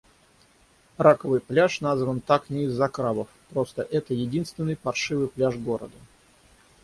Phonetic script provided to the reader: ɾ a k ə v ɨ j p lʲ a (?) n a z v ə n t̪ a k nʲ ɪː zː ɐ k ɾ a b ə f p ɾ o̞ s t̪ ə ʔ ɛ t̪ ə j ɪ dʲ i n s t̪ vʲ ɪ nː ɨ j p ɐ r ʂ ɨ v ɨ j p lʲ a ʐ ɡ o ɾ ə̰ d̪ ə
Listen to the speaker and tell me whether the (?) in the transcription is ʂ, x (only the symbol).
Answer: ʂ